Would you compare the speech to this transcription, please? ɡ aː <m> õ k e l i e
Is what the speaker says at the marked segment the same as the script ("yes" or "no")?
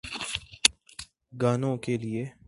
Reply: no